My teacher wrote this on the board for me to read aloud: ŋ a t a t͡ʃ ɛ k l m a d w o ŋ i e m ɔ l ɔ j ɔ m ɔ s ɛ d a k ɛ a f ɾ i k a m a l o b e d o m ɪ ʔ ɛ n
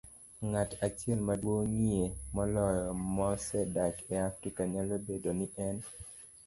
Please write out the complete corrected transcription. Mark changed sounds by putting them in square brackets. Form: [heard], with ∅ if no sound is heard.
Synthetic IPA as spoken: ŋ a t a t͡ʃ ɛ [∅] l m a d w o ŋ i e m ɔ l ɔ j ɔ m ɔ s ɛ d a k ɛ a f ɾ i k a [ɲ] a l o b e d o [n] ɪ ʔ ɛ n